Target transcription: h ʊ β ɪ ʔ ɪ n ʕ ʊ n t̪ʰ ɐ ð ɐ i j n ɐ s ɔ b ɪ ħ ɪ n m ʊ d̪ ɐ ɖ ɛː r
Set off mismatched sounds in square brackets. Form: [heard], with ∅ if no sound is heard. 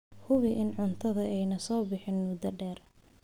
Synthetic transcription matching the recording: h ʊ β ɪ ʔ ɪ n ʕ ʊ n t̪ʰ ɐ ð ɐ [ɛ] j n ɐ s [ɔː] b ɪ ħ ɪ n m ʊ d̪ ɐ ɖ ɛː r

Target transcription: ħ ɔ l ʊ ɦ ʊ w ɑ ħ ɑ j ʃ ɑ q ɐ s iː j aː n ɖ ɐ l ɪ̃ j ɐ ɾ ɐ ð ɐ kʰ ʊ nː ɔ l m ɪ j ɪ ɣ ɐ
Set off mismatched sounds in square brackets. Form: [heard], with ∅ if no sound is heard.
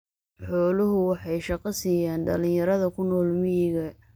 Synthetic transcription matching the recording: ħ [ɔː] l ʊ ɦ ʊ w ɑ ħ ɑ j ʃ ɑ q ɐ s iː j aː n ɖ ɐ l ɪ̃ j ɐ ɾ ɐ ð ɐ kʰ ʊ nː [ɔː] l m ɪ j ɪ ɣ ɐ

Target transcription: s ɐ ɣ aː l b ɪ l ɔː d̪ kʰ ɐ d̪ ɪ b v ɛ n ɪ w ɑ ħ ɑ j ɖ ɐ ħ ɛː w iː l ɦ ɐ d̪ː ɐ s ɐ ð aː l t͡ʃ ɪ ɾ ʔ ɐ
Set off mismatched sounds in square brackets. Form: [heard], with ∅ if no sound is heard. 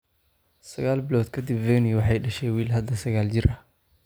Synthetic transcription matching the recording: s ɐ ɣ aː l b ɪ l ɔː d̪ kʰ ɐ d̪ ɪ b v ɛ n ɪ w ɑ ħ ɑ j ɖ ɐ [ʃ] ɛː w iː l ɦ ɐ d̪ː ɐ s ɐ [ɣ] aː l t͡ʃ ɪ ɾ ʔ ɐ

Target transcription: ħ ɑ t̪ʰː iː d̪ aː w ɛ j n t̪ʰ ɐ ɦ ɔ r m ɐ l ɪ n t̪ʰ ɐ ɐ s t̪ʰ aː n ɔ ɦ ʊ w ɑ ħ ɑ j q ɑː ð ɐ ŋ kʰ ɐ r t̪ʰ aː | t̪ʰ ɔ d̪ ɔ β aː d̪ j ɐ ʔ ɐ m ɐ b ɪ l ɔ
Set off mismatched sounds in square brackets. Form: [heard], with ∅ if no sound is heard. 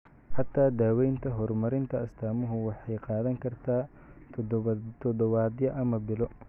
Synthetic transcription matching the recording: ħ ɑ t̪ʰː [aː] d̪ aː w ɛ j n t̪ʰ ɐ ɦ ɔ r m ɐ [ɾ] ɪ n t̪ʰ ɐ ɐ s t̪ʰ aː [m] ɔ ɦ ʊ w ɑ ħ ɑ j q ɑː ð ɐ ŋ kʰ ɐ r t̪ʰ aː | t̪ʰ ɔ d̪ ɔ β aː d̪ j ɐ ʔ ɐ m ɐ b ɪ l ɔ

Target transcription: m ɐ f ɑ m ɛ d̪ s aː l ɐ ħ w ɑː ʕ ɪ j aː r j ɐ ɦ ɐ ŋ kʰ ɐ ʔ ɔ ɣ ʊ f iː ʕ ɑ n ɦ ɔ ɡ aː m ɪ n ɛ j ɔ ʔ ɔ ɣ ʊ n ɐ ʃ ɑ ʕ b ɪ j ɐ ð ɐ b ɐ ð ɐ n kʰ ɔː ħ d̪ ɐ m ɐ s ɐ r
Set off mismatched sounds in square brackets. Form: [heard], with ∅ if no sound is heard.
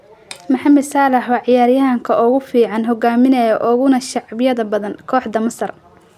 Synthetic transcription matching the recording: m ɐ [ħ] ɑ m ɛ d̪ s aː l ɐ ħ w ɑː ʕ ɪ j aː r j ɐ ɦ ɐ ŋ kʰ ɐ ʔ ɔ ɣ ʊ f iː ʕ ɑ n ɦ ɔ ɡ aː m ɪ n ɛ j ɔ ʔ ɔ ɣ ʊ n ɐ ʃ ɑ ʕ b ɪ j ɐ ð ɐ b ɐ ð ɐ n kʰ ɔː ħ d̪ ɐ m ɐ s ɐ r

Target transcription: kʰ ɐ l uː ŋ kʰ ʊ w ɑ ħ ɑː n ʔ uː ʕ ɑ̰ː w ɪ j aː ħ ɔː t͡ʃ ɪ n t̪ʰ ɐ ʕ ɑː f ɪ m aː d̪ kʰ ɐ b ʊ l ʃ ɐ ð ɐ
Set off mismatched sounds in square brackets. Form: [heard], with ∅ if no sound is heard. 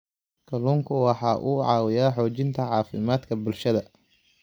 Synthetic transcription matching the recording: kʰ ɐ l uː ŋ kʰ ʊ w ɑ ħ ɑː [∅] ʔ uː ʕ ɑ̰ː w ɪ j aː ħ ɔː t͡ʃ ɪ n t̪ʰ ɐ ʕ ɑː f ɪ m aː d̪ kʰ ɐ b ʊ l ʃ ɐ ð ɐ

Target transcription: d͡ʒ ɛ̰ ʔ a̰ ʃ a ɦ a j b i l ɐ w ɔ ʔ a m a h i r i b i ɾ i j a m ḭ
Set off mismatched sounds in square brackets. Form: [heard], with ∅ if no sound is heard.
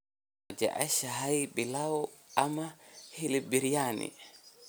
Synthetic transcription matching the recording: d͡ʒ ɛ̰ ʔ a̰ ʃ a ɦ a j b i l [a] w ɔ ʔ a m a h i [l] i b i ɾ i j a [n] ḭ

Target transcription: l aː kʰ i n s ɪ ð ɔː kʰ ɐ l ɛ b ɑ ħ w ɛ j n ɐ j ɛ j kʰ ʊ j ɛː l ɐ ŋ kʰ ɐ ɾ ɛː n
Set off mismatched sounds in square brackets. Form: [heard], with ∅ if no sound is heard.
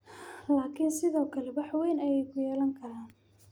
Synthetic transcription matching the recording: l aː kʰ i n s ɪ ð ɔː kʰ ɐ l ɛ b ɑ ħ w ɛ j n ɐ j ɛ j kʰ ʊ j ɛː l ɐ ŋ kʰ ɐ ɾ [aː] n

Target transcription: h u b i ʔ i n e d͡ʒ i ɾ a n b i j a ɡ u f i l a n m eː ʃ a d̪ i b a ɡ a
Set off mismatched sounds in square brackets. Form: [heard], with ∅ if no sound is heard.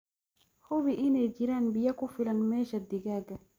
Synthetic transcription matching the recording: h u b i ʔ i n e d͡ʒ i ɾ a n b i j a [k] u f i l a n m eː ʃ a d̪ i [ɡ] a ɡ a

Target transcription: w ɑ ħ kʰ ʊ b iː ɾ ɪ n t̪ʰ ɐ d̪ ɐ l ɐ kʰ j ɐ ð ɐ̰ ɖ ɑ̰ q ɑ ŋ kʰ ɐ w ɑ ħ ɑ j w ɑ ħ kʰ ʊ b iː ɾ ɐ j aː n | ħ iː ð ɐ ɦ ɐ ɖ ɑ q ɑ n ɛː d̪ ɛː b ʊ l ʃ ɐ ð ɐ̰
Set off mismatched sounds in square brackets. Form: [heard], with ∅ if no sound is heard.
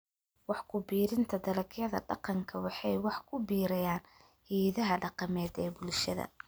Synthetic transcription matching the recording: w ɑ ħ kʰ ʊ b iː ɾ ɪ n t̪ʰ ɐ d̪ ɐ l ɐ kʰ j ɐ ð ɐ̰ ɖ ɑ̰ q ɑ ŋ kʰ ɐ w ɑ ħ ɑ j w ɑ ħ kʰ ʊ b iː ɾ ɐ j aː n | [h] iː ð ɐ ɦ ɐ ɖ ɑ q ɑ [m] ɛː d̪ ɛː b ʊ l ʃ ɐ ð ɐ̰

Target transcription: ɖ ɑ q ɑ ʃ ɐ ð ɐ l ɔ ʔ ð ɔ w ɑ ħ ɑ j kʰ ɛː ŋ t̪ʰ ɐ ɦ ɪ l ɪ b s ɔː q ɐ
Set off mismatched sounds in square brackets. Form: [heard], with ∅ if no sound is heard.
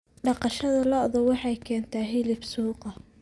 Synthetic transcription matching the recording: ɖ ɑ q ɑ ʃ ɐ ð ɐ l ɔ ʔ ð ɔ w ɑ ħ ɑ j kʰ ɛː [n] t̪ʰ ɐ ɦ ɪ l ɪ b s [uː] q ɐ

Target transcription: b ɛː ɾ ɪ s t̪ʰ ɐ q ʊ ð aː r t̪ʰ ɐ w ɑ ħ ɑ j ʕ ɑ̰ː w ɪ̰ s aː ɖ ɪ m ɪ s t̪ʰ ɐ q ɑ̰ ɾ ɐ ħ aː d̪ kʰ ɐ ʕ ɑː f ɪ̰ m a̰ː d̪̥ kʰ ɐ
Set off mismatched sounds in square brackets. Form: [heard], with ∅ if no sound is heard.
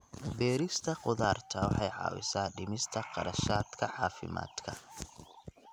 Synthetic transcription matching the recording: b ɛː ɾ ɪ s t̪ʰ ɐ q ʊ ð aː r t̪ʰ ɐ w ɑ ħ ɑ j ʕ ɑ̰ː w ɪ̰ s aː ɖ ɪ m ɪ s t̪ʰ ɐ q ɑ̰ ɾ ɐ [ʃ] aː d̪ kʰ ɐ ʕ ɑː f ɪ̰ m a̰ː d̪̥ kʰ ɐ

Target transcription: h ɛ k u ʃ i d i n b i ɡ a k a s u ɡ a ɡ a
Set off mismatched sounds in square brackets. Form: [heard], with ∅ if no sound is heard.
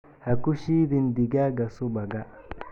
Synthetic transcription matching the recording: h [a] k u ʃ i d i n [d] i ɡ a [ɡ] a s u [b] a ɡ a

